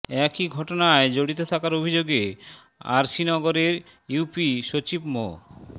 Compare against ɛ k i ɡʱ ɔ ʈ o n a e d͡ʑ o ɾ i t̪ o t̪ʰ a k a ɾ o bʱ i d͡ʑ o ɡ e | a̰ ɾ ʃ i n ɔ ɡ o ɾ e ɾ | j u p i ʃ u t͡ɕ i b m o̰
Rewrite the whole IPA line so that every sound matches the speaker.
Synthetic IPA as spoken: ɛ k i ɡʱ ɔ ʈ o n a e d͡ʑ o ɽ i t̪ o t̪ʰ a k a ɾ o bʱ i d͡ʑ o ɡ e | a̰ ɾ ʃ i n ɔ ɡ o ɾ e ɾ | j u p i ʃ o t͡ɕ i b m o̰

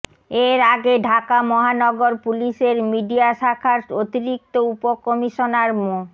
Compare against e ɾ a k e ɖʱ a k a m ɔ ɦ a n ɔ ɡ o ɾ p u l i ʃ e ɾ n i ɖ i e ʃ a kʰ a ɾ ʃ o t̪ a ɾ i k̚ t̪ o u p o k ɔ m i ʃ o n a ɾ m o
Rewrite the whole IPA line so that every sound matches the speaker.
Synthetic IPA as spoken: e ɾ a ɡ e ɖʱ a k a m ɔ ɦ a n ɔ ɡ o ɾ p u l i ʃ e ɾ m i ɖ i a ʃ a kʰ a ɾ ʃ o t̪ i ɾ i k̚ t̪ o u p o k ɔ m i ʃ o n a ɾ m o

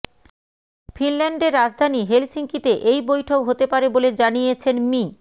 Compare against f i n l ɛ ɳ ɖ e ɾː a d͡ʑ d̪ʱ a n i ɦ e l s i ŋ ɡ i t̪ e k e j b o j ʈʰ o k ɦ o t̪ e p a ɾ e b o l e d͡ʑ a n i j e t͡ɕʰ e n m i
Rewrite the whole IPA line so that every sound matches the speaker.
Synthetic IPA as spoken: f i n l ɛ ɳ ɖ e ɾː a d͡ʑ d̪ʱ a n i ɦ e l s i ŋ k i t̪ e ʔ e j b o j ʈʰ o k ɦ o t̪ e p a ɾ e b o l e d͡ʑ a n i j e t͡ɕʰ e n m i

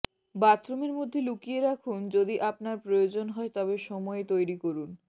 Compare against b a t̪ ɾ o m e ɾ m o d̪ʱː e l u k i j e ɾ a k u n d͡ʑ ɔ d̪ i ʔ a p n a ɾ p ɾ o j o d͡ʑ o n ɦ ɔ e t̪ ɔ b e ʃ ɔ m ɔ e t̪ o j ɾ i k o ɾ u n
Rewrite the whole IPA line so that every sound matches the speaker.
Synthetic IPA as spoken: b a t̪ ɾ o m e ɾ m o d̪ʱː e l u k i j e ɾ a kʰ u n d͡ʑ o d̪ i ʔ a p n a ɾ p ɾ o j o d͡ʑ o n ɦ ɔ e t̪ ɔ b e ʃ ɔ m ɔ e t̪ o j ɾ i k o ɾ u n

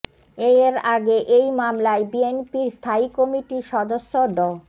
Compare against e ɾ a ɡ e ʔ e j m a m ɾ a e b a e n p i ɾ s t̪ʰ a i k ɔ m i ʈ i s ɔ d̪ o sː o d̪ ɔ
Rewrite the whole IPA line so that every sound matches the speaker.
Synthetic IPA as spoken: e ɾ a ɡ e ʔ e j m a m l a e b i e n p i ɾ s t̪ʰ a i k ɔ m i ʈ i ʃ ɔ d̪ o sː o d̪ ɔ

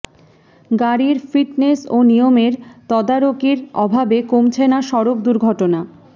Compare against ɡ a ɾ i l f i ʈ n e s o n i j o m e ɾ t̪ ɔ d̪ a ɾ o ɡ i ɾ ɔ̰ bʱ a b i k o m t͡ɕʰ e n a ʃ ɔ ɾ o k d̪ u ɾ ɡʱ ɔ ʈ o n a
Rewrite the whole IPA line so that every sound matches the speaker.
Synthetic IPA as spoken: ɡ a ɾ i ɾ f i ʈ n e s o n i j o m e ɾ t̪ ɔ d̪ a ɾ o k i ɾ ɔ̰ bʱ a b e k o m t͡ɕʰ e n a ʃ ɔ ɾ o k d̪ u ɾ ɡʱ ɔ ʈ o n a

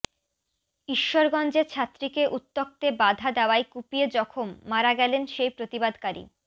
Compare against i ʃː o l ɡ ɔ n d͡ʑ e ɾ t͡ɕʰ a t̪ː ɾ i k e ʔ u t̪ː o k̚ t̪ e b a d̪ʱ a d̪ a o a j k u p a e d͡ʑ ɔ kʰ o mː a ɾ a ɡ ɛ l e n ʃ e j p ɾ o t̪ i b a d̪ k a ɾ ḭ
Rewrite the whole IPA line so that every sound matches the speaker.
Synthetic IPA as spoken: i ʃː o ɾ ɡ ɔ n d͡ʑ e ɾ t͡ɕʰ a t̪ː ɾ i k e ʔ u t̪ː o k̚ t̪ e b a d̪ʱ a d̪ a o a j k u p i e d͡ʑ ɔ kʰ o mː a ɾ a ɡ ɛ l e n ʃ e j p ɾ o t̪ i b a d̪ k a ɾ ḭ

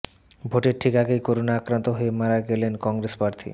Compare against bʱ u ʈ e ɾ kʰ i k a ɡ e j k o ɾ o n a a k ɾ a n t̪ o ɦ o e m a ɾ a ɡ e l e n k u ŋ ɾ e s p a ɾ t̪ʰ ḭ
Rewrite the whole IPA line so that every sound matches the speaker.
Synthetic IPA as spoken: bʱ o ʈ e ɾ ʈʰ i k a ɡ e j k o ɾ o n a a k ɾ a n t̪ o ɦ o e m a ɾ a ɡ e l e n k ɔ ŋ ɾ e s p a ɾ t̪ʰ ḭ

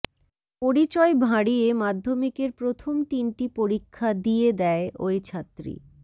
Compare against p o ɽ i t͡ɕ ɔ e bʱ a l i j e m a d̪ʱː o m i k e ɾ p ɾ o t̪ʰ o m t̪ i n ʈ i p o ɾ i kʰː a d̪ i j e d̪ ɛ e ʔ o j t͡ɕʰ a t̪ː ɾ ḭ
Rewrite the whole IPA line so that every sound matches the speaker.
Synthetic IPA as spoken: p o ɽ i t͡ɕ ɔ e bʱ a ɽ i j e m a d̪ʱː o m i k e ɾ p ɾ o t̪ʰ o m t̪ i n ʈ i p o ɾ i kʰː a d̪ i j e d̪ ɛ e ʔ o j t͡ɕʰ a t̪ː ɾ ḭ

